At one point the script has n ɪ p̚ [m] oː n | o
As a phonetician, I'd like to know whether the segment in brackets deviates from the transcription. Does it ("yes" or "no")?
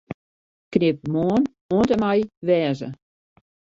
no